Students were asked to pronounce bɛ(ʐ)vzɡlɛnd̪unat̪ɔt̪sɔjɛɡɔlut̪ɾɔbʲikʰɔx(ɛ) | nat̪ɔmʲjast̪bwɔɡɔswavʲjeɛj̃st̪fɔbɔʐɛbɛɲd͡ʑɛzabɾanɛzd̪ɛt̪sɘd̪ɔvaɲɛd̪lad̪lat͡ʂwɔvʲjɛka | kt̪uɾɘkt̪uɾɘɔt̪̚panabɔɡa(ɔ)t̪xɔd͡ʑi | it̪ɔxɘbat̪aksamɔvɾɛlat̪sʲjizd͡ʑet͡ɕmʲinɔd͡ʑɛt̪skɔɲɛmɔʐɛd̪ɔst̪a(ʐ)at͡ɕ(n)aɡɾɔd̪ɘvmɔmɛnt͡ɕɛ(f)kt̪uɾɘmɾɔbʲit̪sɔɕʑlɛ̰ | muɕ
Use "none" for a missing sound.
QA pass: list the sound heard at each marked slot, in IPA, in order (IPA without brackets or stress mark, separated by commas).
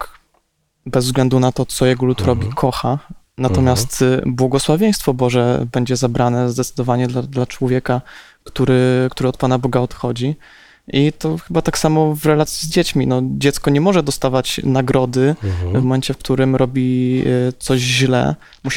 z, a, ɔ, v, n, f